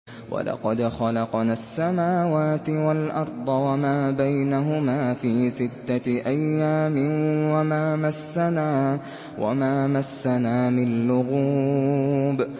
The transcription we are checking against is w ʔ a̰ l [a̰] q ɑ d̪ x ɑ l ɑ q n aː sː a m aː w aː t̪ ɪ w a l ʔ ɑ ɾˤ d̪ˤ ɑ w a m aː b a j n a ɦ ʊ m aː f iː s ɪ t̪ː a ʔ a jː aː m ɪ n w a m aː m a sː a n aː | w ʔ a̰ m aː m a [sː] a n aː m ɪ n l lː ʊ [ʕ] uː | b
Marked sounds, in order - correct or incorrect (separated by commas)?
incorrect, correct, incorrect